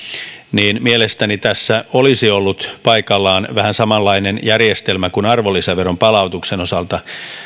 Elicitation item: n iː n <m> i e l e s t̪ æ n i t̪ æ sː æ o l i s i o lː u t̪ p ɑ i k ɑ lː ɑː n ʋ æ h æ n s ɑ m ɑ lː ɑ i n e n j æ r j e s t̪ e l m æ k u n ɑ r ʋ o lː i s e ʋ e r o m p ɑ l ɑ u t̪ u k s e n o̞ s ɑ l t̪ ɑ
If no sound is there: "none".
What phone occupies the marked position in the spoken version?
m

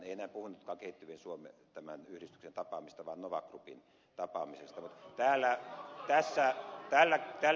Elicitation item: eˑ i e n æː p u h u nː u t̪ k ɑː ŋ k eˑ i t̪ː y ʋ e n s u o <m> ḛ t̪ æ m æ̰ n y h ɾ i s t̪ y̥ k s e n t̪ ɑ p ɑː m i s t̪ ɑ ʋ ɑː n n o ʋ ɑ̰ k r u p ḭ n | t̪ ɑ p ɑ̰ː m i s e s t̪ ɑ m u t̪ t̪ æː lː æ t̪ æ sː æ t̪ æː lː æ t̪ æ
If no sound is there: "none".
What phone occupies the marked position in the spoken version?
m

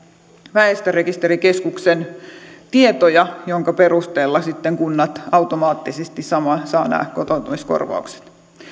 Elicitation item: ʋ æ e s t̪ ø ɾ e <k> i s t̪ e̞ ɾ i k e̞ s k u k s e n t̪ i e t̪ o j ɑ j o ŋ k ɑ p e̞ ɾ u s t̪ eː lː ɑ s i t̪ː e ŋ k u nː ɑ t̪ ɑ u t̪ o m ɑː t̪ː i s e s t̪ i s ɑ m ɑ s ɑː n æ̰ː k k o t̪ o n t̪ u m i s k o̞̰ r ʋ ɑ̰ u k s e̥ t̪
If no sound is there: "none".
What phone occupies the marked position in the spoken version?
k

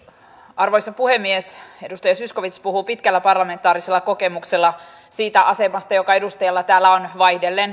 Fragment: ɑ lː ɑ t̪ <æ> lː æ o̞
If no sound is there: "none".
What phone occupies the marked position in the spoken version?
æː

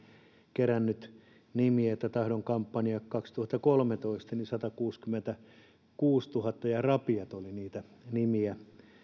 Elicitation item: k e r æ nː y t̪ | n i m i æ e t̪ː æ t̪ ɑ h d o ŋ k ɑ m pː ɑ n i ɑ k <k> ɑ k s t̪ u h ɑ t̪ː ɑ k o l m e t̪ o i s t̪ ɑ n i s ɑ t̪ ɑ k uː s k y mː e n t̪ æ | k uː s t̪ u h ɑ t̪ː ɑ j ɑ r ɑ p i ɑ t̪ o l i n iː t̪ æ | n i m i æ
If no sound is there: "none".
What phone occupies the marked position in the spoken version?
k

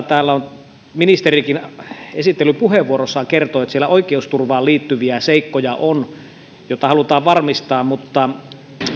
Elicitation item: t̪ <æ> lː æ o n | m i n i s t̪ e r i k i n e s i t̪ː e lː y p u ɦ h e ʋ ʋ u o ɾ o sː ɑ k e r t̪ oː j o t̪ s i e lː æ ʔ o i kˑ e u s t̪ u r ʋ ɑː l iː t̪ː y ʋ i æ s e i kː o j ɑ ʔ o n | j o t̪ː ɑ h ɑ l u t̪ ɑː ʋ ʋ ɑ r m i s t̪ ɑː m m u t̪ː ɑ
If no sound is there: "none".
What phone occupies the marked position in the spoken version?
æː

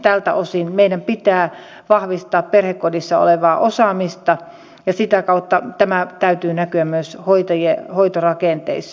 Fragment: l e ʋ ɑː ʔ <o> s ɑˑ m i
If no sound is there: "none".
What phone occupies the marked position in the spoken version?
o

